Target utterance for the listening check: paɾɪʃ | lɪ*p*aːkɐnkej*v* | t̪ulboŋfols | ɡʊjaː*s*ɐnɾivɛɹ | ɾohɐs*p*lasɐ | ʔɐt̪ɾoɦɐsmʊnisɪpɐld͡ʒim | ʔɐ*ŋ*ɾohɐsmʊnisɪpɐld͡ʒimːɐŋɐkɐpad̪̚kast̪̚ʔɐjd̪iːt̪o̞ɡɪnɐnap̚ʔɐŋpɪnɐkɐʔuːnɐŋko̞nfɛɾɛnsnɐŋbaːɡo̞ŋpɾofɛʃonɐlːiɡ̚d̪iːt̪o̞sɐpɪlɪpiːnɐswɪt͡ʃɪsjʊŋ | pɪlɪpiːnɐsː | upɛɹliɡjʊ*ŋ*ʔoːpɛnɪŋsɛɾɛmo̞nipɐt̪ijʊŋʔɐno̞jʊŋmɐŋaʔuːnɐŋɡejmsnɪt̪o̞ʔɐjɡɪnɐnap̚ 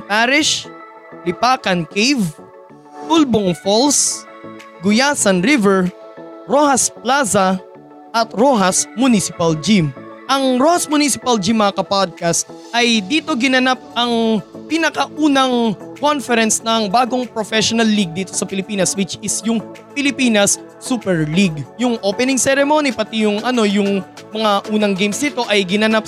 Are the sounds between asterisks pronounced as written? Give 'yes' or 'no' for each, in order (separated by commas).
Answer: yes, yes, yes, yes, yes, yes